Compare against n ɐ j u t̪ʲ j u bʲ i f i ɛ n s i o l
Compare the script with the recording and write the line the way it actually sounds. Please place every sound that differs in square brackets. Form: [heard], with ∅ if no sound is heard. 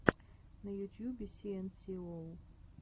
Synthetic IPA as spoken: n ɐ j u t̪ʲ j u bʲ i [s] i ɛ n s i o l